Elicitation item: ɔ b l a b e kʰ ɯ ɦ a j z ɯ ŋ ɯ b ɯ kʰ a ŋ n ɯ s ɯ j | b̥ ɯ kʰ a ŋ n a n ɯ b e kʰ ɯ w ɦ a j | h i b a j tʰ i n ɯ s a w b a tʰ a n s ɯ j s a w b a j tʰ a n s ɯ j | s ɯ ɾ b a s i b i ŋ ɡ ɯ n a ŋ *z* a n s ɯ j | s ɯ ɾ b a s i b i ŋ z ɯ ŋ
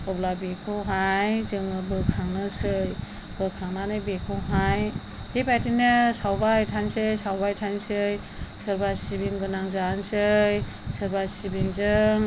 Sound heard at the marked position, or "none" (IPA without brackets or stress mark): z